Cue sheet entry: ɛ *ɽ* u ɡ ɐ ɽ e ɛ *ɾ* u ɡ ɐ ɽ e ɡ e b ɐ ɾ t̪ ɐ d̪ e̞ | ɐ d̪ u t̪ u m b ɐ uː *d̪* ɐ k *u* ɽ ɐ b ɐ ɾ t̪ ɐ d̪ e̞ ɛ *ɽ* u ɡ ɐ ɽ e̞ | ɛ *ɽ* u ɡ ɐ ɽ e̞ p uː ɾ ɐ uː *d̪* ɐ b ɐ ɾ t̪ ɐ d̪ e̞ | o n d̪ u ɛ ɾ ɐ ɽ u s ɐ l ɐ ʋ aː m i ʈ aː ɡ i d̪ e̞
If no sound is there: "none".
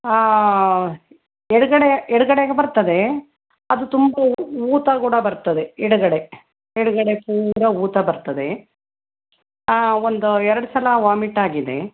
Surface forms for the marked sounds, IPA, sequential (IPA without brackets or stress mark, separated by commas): ɽ, ɽ, t̪, uː, ɽ, ɽ, t̪